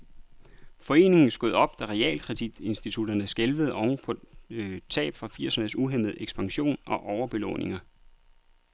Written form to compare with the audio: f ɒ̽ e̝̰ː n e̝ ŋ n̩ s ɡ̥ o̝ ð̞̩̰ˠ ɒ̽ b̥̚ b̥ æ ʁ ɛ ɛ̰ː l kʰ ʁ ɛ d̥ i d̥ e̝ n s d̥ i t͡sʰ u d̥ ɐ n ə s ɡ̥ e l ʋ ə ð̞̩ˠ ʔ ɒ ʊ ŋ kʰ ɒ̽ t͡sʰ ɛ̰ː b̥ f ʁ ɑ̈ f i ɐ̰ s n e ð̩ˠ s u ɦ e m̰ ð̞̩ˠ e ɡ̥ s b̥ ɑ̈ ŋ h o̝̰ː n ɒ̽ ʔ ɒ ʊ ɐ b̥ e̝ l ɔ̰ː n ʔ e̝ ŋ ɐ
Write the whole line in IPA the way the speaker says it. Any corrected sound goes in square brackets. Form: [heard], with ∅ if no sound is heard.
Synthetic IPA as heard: f ɒ̽ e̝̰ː n e̝ ŋ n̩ s ɡ̥ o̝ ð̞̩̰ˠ ɒ̽ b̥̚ [d̥] æ ʁ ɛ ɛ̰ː l kʰ ʁ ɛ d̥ i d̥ e̝ n s d̥ i t͡sʰ u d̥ ɐ n ə s ɡ̥ e l ʋ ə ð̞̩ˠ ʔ ɒ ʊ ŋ [pʰ] ɒ̽ t͡sʰ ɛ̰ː b̥ f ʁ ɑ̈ f i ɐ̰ s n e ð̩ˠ s u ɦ e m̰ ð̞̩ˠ e ɡ̥ s b̥ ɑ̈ ŋ [ɕ] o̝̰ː n ɒ̽ ʔ ɒ ʊ ɐ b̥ e̝ l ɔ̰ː n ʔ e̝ ŋ ɐ